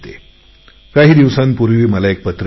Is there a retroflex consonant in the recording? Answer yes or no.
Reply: no